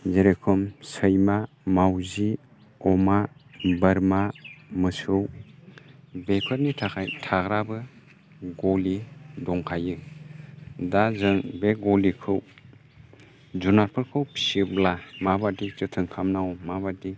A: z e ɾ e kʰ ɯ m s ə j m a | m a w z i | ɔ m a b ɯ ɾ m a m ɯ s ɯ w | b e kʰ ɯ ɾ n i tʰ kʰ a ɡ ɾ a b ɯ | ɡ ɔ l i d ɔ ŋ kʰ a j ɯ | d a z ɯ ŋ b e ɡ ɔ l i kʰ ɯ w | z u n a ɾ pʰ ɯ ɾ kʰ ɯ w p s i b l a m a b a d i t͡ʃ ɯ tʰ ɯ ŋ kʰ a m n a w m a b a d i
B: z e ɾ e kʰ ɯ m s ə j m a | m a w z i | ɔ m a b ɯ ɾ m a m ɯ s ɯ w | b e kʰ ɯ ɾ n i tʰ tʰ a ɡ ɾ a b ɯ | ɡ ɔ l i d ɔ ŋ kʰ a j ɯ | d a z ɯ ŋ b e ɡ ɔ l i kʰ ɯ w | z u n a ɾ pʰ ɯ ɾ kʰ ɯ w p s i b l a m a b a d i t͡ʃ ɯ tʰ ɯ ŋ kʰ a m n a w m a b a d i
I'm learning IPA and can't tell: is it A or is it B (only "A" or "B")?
B